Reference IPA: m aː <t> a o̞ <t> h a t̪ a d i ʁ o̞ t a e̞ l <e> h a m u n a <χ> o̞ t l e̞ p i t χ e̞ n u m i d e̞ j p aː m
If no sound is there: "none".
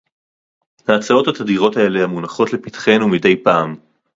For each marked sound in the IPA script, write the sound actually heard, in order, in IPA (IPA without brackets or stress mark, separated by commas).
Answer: t͡s, t, e, χ